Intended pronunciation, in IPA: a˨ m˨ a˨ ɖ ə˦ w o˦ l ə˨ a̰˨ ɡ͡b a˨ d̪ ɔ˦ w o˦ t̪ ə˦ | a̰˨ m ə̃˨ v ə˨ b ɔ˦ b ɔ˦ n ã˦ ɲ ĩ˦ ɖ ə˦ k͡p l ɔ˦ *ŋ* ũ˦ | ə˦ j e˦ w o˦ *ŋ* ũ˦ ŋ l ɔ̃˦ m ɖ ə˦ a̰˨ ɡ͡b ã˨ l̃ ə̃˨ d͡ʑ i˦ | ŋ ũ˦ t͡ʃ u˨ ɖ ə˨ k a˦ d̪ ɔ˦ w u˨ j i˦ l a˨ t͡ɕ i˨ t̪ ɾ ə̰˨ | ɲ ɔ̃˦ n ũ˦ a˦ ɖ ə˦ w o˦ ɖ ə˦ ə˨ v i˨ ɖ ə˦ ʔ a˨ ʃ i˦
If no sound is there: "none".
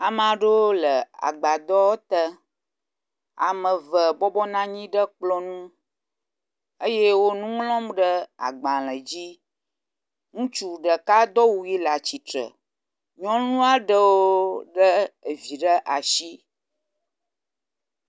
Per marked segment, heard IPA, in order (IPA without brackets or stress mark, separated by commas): n, n